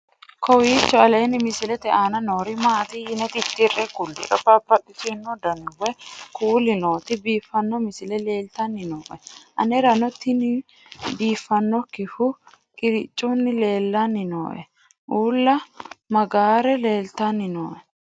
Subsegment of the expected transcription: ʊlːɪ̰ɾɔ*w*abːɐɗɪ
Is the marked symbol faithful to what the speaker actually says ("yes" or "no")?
no